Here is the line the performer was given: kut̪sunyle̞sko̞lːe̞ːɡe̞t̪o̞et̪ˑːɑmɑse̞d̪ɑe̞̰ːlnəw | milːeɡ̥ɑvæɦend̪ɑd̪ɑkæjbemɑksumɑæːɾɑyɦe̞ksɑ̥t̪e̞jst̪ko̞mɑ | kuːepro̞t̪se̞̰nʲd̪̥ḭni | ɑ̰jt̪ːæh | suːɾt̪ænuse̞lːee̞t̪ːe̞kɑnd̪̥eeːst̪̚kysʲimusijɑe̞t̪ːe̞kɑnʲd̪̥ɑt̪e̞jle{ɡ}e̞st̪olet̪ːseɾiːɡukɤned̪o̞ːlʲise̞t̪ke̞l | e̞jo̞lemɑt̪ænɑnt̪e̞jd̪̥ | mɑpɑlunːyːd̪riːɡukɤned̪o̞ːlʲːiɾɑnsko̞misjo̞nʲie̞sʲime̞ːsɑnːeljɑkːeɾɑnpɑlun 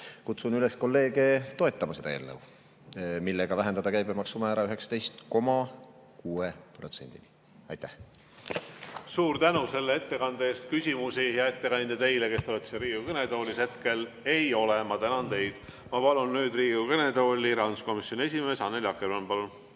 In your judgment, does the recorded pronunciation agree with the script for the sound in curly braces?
no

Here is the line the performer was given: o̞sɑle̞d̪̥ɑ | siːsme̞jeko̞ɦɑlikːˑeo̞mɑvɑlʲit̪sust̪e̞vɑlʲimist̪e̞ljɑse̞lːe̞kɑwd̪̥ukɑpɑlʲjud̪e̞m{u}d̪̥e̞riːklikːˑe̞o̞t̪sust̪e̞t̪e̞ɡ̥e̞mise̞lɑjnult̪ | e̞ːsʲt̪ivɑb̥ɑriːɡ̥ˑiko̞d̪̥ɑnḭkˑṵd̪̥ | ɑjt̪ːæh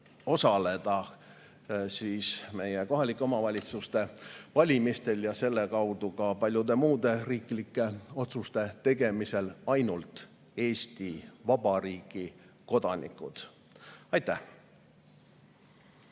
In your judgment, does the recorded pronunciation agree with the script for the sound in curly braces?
no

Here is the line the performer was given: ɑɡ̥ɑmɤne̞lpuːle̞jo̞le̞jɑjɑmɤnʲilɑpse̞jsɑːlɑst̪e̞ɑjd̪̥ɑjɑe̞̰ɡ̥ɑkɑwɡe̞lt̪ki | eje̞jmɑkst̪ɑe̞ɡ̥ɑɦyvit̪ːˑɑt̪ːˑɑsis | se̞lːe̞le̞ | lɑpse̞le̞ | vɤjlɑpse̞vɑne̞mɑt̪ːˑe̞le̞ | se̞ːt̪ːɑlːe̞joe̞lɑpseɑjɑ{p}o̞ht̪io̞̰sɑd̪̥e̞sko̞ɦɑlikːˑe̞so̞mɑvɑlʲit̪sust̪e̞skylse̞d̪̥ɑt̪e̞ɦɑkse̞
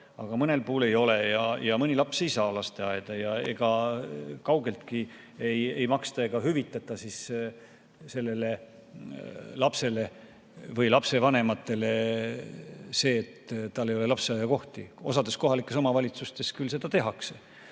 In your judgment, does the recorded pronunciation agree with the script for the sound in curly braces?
no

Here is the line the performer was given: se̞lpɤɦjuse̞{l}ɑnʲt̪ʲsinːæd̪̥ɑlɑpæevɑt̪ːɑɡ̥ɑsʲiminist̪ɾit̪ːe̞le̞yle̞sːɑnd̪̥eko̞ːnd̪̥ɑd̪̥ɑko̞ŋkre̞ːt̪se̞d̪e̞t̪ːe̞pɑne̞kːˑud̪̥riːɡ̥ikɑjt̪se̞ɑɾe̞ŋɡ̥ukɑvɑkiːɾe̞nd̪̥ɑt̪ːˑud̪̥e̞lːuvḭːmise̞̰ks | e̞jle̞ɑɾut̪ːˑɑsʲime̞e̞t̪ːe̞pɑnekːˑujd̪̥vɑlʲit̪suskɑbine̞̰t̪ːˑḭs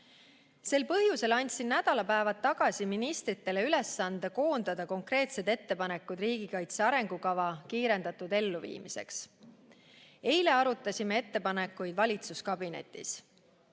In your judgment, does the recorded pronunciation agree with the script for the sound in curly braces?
yes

